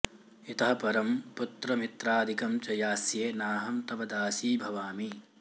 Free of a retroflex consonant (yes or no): yes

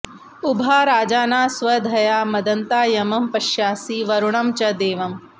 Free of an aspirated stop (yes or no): yes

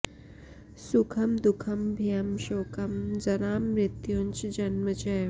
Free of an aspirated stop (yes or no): no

